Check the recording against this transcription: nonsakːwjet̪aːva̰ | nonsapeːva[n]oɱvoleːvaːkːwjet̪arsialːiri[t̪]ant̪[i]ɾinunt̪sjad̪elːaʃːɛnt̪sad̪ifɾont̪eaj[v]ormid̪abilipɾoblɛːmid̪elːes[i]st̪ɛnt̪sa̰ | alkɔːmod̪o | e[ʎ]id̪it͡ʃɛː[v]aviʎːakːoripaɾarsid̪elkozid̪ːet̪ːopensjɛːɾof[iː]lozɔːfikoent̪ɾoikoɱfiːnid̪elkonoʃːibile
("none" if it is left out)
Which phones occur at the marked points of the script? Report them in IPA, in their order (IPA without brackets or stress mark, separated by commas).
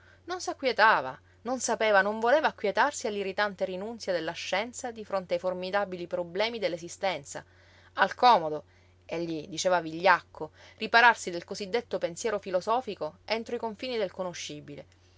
n, t̪, e, f, i, ʎː, v, i